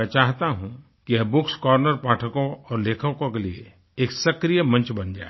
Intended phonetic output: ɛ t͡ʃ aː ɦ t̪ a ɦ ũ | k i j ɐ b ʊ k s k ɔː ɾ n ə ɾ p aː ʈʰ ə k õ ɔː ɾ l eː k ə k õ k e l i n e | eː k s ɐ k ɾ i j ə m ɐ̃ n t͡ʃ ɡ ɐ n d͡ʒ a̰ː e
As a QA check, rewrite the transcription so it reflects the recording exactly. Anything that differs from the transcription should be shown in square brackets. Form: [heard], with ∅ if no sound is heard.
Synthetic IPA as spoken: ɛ t͡ʃ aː ɦ t̪ a ɦ ũ | k i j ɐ b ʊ k s k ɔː ɾ n ə ɾ p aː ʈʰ ə k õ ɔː ɾ l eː [kʰ] ə k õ k e l i [∅] e | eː k s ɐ k ɾ i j ə m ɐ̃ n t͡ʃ [b] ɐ n d͡ʒ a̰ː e